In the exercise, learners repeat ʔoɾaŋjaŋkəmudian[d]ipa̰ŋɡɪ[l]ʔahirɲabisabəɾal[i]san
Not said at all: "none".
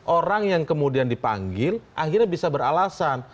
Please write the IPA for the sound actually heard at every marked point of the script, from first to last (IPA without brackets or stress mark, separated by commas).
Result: d, l, a